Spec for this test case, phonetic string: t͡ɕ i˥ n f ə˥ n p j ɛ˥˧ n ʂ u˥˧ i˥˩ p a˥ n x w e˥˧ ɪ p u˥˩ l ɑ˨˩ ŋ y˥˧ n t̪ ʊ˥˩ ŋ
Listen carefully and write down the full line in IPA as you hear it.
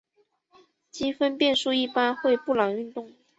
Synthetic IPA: t͡ɕ i˥ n f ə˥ n p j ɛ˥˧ n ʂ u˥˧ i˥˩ p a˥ n x w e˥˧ ɪ p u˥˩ l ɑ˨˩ ŋ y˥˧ n t̪ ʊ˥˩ ŋ